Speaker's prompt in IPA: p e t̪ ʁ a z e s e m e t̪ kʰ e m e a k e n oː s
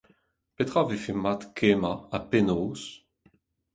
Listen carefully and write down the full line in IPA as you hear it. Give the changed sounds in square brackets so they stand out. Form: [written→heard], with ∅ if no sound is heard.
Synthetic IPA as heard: p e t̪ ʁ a [z→v] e [s→f] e m [e→a] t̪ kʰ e m [e→a] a [k→p] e n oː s